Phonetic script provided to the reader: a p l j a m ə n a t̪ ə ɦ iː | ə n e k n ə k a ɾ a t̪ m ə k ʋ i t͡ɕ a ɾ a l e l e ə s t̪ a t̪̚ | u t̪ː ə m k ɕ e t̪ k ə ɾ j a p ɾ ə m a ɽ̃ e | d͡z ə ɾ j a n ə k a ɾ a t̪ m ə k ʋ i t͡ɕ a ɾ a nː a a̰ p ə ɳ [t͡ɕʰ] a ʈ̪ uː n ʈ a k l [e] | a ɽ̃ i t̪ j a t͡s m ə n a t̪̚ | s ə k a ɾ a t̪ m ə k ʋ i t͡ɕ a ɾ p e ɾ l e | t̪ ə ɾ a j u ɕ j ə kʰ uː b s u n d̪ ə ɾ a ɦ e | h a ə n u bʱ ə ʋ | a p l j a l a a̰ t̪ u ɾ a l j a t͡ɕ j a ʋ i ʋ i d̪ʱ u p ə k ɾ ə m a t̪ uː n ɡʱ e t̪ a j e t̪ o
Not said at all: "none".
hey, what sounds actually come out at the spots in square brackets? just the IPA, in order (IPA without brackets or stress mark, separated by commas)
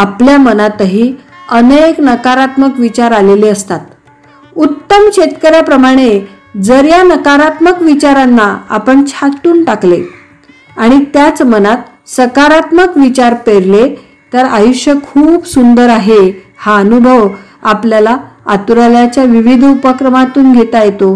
t͡ɕʰ, e